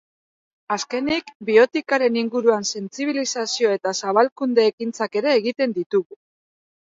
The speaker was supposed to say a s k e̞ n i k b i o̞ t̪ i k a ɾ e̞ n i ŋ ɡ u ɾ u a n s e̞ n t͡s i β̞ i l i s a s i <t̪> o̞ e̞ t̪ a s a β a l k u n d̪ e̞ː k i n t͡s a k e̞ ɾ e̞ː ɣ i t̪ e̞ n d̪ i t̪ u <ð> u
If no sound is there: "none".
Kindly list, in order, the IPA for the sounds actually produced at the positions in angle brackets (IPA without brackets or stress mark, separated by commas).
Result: none, ɣ